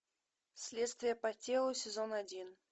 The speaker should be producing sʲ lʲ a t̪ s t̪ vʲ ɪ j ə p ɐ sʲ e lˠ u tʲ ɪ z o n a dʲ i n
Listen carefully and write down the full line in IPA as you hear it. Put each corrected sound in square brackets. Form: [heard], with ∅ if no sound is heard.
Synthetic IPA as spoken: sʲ lʲ [e] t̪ s t̪ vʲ ɪ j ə p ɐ [tʲ] e lˠ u [sʲ] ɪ z o n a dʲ i n